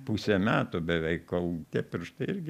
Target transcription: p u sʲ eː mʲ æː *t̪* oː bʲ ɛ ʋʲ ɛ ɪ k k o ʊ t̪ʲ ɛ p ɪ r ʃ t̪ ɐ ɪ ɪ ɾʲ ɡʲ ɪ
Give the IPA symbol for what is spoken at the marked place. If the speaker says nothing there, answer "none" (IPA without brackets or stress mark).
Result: t̪